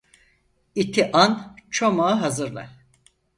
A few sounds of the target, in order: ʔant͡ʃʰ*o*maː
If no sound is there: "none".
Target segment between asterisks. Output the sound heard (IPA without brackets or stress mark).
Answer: o